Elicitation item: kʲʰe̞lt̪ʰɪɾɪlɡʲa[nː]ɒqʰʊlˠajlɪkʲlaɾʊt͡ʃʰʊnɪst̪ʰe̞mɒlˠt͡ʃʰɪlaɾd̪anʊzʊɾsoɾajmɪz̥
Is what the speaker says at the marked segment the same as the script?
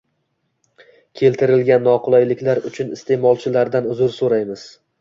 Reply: yes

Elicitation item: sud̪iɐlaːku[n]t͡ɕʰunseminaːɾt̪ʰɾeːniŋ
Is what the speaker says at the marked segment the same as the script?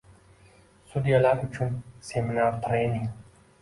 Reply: no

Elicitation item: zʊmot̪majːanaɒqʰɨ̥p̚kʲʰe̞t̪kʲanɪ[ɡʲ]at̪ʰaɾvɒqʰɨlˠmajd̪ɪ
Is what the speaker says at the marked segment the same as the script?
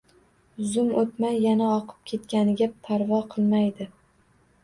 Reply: yes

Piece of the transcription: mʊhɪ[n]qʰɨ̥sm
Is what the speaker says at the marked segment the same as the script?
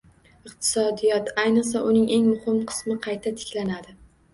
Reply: no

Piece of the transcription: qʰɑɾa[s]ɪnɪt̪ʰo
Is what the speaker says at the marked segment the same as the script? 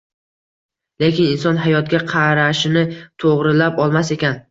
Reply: no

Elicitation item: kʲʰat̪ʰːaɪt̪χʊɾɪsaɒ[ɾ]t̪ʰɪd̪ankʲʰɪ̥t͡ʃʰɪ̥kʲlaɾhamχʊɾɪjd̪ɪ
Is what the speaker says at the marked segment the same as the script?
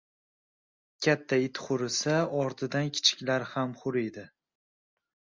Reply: yes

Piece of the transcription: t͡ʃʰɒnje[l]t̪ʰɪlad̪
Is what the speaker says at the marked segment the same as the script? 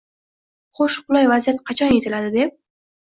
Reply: no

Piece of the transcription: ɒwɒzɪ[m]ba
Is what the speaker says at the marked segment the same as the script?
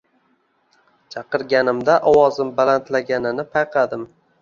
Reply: yes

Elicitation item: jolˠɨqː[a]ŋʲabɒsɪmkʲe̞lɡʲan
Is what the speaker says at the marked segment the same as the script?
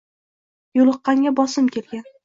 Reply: no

